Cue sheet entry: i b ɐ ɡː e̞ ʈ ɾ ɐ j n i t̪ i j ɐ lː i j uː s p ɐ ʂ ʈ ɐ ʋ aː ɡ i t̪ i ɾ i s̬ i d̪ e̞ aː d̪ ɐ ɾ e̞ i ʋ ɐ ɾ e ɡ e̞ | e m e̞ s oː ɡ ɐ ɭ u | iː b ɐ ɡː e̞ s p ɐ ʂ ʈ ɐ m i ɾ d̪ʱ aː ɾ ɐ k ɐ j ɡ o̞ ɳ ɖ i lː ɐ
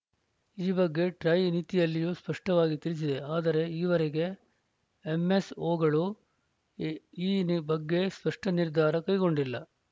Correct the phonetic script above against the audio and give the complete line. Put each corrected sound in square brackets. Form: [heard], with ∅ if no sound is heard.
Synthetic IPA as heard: [iː] b ɐ ɡː e̞ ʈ ɾ ɐ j n i t̪ i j ɐ lː i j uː s p ɐ ʂ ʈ ɐ ʋ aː ɡ i t̪ i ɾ i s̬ i d̪ e̞ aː d̪ ɐ ɾ e̞ [iː] ʋ ɐ ɾ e ɡ e̞ | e m e̞ s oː ɡ ɐ ɭ u | iː b ɐ ɡː e̞ s p ɐ ʂ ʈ ɐ [n] i ɾ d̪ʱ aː ɾ ɐ k ɐ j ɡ o̞ ɳ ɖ i lː ɐ

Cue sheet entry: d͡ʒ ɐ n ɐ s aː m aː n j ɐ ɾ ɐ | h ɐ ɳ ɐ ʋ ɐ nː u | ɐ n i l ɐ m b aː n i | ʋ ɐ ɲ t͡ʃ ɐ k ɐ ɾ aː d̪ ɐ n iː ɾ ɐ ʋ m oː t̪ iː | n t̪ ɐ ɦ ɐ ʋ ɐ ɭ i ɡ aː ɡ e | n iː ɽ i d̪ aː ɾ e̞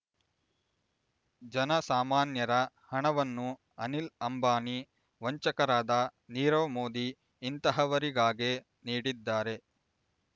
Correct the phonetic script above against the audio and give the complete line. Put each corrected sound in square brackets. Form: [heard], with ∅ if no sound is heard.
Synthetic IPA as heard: d͡ʒ ɐ n ɐ s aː m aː n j ɐ ɾ ɐ | h ɐ ɳ ɐ ʋ ɐ nː u | ɐ n i l ɐ m b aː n i | ʋ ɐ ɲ t͡ʃ ɐ k ɐ ɾ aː d̪ ɐ n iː ɾ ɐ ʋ m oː [d̪] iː | n t̪ ɐ ɦ ɐ ʋ ɐ [ɾ] i ɡ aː ɡ e | n iː ɽ i [d̪ː] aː ɾ e̞

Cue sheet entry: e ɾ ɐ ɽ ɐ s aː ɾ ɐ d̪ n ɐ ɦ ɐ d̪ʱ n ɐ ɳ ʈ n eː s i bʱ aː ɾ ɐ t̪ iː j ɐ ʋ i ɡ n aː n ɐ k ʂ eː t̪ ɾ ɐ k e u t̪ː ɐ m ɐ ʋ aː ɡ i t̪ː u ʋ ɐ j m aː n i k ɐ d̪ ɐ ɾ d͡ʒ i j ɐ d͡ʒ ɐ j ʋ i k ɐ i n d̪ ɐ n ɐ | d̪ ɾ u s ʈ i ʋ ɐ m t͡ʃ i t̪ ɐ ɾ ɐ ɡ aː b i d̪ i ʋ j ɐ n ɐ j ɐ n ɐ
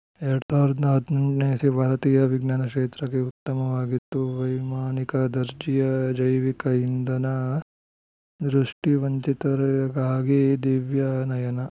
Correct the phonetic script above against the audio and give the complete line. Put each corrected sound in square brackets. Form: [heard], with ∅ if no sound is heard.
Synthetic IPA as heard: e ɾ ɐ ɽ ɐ s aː ɾ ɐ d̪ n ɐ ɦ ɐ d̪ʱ n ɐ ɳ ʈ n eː s i bʱ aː ɾ ɐ t̪ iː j ɐ ʋ i ɡ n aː n ɐ k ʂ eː t̪ ɾ ɐ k e u t̪ː ɐ m ɐ ʋ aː ɡ i t̪ː u ʋ ɐ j m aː n i k ɐ d̪ ɐ ɾ d͡ʒ i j ɐ d͡ʒ ɐ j ʋ i k ɐ i n d̪ ɐ n ɐ | d̪ ɾ u [ʂ] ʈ i ʋ ɐ [ɲ] t͡ʃ i t̪ ɐ ɾ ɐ ɡ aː [ɡ] i d̪ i ʋ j ɐ n ɐ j ɐ n ɐ

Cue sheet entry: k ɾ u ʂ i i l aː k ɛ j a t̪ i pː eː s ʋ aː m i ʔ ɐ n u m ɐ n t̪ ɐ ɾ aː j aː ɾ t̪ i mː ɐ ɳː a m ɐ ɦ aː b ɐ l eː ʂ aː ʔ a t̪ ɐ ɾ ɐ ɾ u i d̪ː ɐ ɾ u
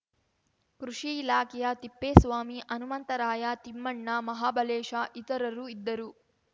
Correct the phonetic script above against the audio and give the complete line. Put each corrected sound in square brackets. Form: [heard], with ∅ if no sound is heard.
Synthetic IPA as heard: k ɾ u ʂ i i l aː k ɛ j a t̪ i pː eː s ʋ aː m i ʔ ɐ n u m ɐ n t̪ ɐ ɾ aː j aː [∅] t̪ i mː ɐ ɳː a m ɐ ɦ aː b ɐ l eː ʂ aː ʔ [i] t̪ ɐ ɾ ɐ ɾ u i d̪ː ɐ ɾ u

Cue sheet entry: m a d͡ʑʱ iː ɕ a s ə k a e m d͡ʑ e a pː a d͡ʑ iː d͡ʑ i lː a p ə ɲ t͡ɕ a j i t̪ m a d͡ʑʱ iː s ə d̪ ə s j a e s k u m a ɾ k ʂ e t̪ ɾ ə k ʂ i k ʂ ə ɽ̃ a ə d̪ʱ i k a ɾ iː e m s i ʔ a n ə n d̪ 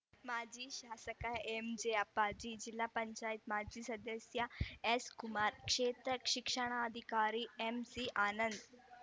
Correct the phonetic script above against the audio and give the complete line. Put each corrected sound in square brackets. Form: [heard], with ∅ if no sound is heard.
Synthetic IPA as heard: m a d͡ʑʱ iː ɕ a s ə k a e m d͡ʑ e a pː a d͡ʑ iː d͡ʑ i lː a p ə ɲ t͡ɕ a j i t̪ m a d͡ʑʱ iː s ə d̪ ə s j a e s k u m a ɾ k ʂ e t̪ ɾ ə k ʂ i k ʂ ə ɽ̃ a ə d̪ʱ i k a ɾ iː e m s i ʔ a n ə n d̪

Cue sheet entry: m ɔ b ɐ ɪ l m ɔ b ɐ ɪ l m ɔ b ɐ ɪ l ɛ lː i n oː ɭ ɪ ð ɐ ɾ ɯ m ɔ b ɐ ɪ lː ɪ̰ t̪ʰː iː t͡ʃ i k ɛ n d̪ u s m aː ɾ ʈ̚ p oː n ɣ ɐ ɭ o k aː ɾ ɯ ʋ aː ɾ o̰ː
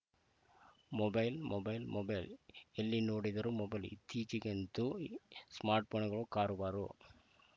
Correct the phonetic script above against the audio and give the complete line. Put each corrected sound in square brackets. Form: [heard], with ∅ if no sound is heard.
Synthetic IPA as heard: m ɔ b ɐ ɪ l m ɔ b ɐ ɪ l m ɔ b ɐ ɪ l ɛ lː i n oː [ɽ] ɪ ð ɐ ɾ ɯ m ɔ b ɐ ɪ [l] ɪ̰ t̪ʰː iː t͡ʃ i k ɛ n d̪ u s m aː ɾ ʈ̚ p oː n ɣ ɐ ɭ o k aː ɾ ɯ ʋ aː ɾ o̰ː

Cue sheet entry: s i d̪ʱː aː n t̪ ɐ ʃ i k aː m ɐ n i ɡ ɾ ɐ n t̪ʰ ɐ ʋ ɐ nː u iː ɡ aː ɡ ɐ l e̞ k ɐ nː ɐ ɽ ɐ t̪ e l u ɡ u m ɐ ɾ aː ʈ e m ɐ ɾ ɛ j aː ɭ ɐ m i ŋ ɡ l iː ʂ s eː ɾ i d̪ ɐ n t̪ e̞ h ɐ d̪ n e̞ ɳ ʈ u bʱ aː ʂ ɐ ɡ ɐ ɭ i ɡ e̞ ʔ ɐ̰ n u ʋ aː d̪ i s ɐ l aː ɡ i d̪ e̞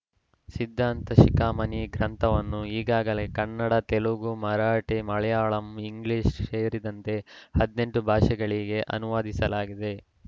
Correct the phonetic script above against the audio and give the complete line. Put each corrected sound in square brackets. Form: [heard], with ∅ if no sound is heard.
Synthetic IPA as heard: s i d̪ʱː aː n t̪ ɐ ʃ i k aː m ɐ n i ɡ ɾ ɐ n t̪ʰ ɐ ʋ ɐ nː u iː ɡ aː ɡ ɐ l e̞ k ɐ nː ɐ ɽ ɐ t̪ e l u ɡ u m ɐ ɾ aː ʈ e m ɐ [ɭ] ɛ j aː ɭ ɐ m i ŋ ɡ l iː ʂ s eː ɾ i d̪ ɐ n t̪ e̞ h ɐ d̪ n e̞ ɳ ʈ u bʱ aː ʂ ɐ ɡ ɐ ɭ i ɡ e̞ ʔ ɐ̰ n u ʋ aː d̪ i s ɐ l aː ɡ i d̪ e̞

